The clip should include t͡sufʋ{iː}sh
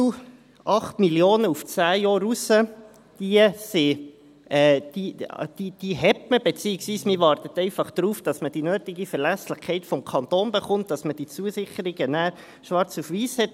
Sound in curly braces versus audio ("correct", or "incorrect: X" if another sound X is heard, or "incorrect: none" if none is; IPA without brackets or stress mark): correct